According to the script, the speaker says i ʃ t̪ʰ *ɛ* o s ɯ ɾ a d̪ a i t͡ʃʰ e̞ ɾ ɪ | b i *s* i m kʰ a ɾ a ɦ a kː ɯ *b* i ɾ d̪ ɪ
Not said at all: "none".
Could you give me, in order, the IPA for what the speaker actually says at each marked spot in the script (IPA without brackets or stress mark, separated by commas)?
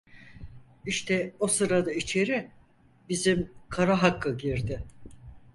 ɛ, z, ɟ